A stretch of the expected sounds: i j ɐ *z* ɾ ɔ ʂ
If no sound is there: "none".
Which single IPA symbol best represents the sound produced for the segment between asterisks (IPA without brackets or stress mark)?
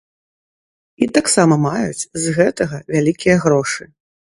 ɣ